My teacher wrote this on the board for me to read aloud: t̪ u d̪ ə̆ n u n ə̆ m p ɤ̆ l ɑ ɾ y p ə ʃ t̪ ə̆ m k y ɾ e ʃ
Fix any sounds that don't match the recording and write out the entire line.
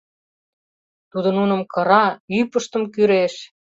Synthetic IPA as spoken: t̪ u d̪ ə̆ n u n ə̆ m k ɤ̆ ɾ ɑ y p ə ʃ t̪ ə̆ m k y ɾ e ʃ